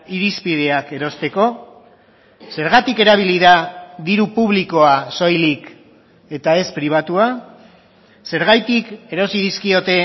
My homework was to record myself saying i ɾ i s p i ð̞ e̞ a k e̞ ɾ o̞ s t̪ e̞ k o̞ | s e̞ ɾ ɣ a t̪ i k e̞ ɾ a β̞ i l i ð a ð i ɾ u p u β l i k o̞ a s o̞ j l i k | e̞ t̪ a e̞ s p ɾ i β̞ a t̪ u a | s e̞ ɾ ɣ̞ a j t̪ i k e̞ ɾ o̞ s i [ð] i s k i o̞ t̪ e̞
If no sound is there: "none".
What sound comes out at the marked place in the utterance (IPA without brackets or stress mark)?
ð